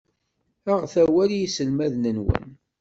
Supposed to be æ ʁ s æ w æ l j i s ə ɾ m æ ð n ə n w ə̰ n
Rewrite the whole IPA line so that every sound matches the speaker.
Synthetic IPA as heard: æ ʁ θ æ w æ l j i s ə l m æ ð n ə n w ə̰ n